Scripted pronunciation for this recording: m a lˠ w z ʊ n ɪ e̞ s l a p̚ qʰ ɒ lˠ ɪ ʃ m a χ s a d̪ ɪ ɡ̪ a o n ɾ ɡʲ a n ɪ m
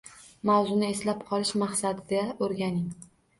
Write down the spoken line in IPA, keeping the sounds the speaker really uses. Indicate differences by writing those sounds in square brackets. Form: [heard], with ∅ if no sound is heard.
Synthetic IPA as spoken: m a [∅] w z ʊ n ɪ e̞ s l a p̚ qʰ ɒ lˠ ɪ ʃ m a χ s a d̪ ɪ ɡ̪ a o [∅] ɾ ɡʲ a n ɪ [ŋ]